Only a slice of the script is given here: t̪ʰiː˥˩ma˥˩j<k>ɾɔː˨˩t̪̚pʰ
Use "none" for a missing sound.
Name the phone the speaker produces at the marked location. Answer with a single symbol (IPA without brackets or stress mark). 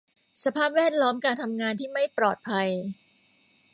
p